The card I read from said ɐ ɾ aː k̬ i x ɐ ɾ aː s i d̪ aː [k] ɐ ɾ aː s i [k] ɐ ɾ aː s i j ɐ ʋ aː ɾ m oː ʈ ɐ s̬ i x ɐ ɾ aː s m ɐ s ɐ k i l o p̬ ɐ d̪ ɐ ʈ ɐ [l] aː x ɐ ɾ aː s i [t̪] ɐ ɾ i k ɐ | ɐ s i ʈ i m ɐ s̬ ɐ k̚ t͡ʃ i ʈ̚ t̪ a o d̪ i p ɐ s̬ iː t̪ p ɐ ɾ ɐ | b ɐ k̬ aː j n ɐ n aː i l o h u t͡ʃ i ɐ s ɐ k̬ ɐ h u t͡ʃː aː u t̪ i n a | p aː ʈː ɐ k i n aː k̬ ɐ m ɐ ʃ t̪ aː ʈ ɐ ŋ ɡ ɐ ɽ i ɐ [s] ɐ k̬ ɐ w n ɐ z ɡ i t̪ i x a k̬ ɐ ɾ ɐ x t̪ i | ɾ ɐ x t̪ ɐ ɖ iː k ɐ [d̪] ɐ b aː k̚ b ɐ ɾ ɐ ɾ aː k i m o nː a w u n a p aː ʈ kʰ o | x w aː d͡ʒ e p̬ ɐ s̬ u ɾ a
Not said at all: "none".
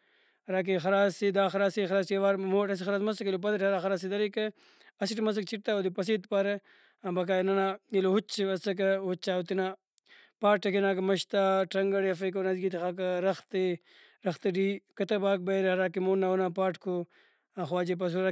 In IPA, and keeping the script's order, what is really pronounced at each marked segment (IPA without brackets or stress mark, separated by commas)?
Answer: x, x, ɾ, d̪, f, t̪